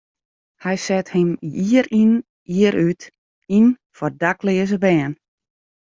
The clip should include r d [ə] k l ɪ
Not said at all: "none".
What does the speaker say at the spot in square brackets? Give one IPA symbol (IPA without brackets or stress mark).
a